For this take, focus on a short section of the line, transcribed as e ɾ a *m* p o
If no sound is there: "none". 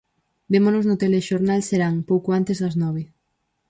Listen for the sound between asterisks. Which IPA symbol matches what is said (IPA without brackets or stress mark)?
ŋ